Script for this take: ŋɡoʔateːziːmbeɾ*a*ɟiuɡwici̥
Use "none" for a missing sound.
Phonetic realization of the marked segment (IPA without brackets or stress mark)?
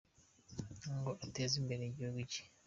e